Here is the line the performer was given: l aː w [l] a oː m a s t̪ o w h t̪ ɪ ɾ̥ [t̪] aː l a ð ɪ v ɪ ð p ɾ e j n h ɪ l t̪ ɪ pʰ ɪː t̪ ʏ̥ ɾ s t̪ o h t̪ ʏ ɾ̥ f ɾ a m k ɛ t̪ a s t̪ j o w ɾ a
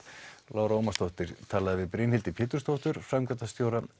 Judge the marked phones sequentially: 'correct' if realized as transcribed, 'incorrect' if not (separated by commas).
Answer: incorrect, incorrect